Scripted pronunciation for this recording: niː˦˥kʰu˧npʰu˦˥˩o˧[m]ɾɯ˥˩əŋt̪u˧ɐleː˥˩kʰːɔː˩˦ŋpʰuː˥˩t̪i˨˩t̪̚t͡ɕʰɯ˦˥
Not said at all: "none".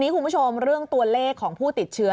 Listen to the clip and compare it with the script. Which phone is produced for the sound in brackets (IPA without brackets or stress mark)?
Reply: m